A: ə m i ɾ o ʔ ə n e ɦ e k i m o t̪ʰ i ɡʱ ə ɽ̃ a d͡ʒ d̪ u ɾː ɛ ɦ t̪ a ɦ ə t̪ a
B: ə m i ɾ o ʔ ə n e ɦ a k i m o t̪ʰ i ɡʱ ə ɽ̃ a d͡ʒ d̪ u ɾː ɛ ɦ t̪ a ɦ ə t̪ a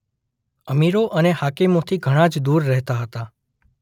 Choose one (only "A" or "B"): B